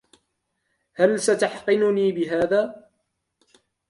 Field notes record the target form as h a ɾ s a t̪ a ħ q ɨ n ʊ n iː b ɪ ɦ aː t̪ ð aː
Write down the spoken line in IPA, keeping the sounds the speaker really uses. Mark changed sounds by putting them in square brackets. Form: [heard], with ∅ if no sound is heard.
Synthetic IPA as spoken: h a [l] s a t̪ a ħ q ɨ n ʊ n iː b ɪ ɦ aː [∅] ð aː